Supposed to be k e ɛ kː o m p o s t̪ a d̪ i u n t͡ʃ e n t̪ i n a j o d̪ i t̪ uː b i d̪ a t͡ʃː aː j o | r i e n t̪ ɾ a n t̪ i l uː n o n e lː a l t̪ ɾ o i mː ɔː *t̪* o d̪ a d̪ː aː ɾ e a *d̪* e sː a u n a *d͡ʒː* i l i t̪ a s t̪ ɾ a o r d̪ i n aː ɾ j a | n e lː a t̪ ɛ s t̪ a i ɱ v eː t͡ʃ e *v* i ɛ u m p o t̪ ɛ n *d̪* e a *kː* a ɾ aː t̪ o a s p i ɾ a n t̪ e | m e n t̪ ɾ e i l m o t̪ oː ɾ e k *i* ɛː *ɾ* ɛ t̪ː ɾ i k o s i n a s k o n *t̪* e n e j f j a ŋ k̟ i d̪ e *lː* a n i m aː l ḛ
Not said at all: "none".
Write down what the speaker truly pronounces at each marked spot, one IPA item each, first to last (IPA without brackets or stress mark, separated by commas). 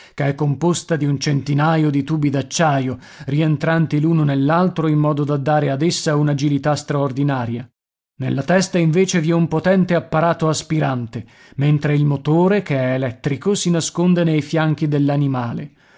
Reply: d̪, d̪, d͡ʒ, v, t̪, pː, e, l, d̪, lː